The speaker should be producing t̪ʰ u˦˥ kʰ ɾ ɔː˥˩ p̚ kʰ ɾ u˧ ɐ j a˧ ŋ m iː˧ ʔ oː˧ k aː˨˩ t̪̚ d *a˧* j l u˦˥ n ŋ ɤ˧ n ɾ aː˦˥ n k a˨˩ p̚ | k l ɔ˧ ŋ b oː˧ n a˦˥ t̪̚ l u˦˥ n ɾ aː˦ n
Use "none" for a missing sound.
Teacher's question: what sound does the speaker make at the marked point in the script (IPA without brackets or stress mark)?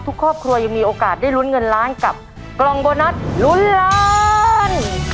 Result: a˥˩